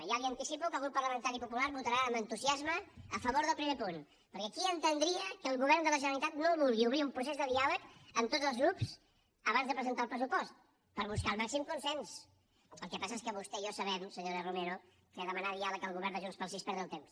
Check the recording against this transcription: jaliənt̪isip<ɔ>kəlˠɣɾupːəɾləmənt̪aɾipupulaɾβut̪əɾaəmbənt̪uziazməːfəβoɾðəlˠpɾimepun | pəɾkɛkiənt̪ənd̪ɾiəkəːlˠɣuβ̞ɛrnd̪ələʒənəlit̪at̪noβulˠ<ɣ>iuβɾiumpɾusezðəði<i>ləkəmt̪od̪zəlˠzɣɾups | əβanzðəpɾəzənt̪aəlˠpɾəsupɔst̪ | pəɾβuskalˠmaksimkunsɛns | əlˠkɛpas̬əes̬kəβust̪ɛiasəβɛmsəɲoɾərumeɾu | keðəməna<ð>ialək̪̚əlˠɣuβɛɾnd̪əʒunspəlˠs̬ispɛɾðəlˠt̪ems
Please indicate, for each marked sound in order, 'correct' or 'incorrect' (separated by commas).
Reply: incorrect, correct, incorrect, correct